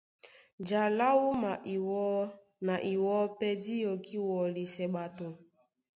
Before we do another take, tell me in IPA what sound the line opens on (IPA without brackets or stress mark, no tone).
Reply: d͡ʒ